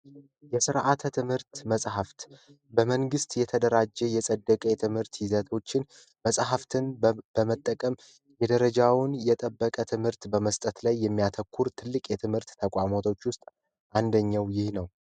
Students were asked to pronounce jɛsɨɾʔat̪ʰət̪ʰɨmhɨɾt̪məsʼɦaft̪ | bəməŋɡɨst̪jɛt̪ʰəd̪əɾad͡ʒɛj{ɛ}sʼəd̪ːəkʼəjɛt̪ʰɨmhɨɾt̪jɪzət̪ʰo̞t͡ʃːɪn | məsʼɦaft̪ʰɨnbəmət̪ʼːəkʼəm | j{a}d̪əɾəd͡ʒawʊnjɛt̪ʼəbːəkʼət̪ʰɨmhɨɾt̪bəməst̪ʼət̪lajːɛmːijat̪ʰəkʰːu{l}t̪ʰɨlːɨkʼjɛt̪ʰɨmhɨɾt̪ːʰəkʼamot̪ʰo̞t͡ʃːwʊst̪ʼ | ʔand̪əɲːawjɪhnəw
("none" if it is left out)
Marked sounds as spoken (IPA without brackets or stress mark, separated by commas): ɛ, ɛ, ɾ